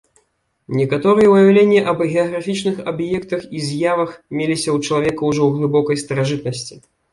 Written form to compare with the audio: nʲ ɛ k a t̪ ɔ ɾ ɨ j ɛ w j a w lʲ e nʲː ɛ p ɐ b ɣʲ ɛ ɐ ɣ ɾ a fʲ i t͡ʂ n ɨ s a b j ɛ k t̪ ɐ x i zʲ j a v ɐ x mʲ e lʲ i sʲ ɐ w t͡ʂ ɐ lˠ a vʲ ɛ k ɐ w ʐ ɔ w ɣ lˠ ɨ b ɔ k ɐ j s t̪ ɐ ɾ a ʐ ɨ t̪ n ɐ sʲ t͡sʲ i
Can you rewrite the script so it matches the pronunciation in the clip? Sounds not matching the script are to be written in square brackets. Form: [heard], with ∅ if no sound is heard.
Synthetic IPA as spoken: nʲ ɛ k a t̪ ɔ ɾ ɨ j ɛ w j a w lʲ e nʲː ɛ [ʔ] ɐ b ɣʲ ɛ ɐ ɣ ɾ a fʲ i t͡ʂ n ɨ [x] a b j ɛ k t̪ ɐ x i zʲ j a v ɐ x mʲ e lʲ i sʲ ɐ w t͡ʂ ɐ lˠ a vʲ ɛ k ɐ w ʐ ɔ w ɣ lˠ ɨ b ɔ k ɐ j s t̪ ɐ ɾ a ʐ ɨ t̪ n ɐ sʲ t͡sʲ i